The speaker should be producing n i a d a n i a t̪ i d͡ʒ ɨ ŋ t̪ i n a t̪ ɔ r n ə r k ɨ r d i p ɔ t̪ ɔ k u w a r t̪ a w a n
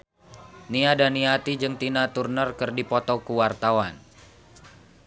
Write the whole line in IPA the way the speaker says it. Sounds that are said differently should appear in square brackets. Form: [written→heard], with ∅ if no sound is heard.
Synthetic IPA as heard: n i a d a n i a t̪ i d͡ʒ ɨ ŋ t̪ i n a t̪ [ɔ→u] r n ə r k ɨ r d i p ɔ t̪ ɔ k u w a r t̪ a w a n